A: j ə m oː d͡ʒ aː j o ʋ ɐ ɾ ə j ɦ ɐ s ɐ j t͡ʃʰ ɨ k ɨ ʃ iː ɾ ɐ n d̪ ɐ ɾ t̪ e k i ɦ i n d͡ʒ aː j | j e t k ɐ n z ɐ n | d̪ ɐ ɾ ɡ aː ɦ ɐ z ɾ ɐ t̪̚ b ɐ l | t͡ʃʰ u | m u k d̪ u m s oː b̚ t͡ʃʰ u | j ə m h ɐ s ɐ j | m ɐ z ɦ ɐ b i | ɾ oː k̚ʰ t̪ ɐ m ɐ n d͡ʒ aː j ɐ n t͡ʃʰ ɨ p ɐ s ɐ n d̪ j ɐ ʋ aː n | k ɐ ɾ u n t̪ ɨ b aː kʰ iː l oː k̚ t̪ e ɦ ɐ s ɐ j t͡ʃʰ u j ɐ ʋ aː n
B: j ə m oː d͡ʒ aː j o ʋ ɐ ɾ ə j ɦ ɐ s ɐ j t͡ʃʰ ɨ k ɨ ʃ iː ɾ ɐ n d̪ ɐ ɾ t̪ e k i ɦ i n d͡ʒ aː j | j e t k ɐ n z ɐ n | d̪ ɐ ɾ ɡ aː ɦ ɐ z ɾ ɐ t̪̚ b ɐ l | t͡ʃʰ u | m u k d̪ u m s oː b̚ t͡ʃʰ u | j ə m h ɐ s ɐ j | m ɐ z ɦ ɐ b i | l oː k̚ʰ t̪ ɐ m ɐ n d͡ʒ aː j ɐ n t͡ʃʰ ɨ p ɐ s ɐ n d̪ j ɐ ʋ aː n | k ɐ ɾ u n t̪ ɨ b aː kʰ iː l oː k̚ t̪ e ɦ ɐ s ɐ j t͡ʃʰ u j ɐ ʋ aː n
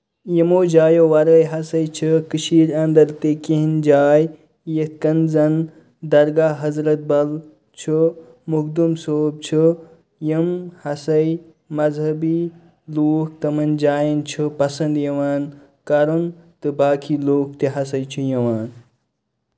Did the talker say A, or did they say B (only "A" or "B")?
B